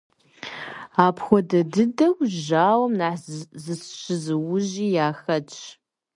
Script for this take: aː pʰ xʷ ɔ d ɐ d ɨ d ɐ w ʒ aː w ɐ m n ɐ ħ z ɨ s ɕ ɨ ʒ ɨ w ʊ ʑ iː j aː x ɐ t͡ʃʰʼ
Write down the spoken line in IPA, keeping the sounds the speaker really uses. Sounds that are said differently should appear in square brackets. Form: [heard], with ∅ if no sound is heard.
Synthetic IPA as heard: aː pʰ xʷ ɔ d ɐ d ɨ d ɐ w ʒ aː w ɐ m n [a] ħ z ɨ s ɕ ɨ [z] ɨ w ʊ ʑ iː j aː x ɐ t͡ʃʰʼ